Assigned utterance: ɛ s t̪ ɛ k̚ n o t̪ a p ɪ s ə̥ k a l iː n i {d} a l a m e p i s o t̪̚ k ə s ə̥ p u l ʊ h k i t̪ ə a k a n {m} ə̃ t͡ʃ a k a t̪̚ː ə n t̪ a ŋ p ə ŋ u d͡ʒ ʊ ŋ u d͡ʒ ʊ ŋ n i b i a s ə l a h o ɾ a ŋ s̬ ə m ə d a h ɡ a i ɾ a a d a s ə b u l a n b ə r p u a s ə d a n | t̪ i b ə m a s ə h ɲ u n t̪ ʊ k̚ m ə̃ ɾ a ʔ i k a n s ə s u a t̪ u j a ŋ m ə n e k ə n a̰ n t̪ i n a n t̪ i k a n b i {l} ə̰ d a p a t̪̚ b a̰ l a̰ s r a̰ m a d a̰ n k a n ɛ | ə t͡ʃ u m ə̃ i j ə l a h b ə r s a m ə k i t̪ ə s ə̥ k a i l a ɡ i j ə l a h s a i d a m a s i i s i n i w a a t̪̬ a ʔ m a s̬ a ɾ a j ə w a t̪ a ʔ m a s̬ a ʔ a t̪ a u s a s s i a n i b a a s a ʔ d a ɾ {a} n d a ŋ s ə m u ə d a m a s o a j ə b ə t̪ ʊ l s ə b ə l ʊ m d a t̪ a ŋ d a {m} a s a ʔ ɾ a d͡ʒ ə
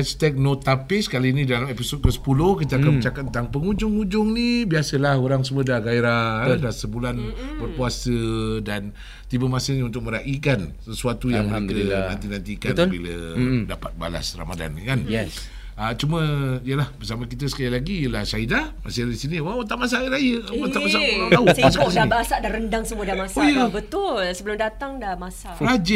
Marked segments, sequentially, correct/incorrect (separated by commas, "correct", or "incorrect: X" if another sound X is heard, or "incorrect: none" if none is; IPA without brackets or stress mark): correct, correct, correct, incorrect: ə, correct